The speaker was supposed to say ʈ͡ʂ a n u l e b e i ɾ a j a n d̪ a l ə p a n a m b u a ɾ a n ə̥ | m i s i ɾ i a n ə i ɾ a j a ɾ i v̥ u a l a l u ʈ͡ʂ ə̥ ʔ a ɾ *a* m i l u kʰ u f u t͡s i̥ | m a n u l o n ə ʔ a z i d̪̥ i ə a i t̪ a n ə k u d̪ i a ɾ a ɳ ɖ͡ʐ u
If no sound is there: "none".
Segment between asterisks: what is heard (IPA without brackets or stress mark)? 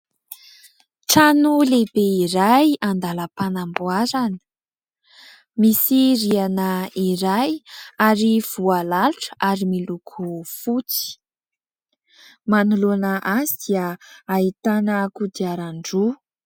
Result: i